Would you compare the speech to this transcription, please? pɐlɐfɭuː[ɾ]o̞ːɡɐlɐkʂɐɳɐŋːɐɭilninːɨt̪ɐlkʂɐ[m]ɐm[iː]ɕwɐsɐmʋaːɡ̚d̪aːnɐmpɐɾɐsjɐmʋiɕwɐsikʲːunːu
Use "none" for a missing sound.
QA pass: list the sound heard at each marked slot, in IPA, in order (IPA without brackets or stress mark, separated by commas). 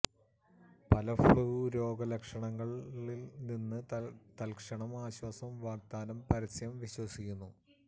ɾ, ɳ, aː